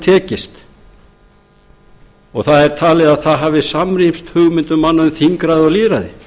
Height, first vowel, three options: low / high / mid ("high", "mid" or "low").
mid